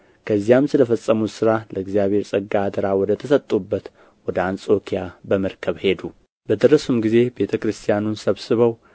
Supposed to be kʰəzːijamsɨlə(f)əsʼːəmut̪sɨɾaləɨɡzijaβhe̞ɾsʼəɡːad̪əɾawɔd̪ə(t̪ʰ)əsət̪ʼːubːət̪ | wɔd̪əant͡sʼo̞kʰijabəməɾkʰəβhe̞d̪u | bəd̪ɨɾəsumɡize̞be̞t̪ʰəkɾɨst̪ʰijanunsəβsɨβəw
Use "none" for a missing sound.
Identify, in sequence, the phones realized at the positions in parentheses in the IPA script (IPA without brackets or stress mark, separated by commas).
f, t̪ʰ